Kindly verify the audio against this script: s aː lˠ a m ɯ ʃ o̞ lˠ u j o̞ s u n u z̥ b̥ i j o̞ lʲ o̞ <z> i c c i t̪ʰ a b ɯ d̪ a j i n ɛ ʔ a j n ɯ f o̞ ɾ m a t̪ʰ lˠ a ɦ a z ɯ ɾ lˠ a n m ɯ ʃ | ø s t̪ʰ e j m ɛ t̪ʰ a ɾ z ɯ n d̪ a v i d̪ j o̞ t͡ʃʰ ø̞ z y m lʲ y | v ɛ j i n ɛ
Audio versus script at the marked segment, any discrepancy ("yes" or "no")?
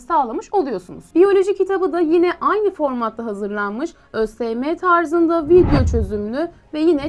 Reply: yes